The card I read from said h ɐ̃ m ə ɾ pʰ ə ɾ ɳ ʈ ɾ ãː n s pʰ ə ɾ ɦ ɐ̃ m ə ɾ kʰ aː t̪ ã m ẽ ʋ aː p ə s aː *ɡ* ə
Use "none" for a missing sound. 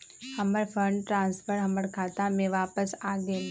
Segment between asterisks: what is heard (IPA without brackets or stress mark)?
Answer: ɡ